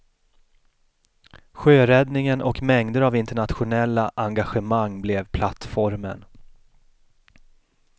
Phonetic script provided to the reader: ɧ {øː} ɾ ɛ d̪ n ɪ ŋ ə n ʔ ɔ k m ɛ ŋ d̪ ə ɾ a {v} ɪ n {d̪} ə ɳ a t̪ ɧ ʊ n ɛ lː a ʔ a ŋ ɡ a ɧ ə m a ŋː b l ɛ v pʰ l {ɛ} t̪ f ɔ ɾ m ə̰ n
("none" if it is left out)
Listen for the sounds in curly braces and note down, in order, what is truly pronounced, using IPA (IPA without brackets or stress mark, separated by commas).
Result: øː, v, t̪, a